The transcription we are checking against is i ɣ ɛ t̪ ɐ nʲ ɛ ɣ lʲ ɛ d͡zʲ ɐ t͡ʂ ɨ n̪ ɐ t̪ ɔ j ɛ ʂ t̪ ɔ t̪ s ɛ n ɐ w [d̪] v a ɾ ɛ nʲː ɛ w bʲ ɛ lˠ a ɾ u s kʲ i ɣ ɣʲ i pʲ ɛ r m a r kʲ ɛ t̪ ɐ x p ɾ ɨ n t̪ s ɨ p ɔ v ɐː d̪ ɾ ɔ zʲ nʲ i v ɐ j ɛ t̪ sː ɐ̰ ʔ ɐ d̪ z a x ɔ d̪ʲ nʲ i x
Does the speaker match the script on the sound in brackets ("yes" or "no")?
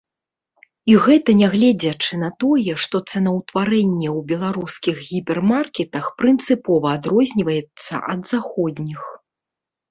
no